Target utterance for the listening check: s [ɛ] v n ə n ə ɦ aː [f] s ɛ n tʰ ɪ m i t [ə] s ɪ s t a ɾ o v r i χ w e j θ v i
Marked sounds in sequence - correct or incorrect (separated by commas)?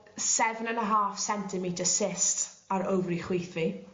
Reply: correct, correct, correct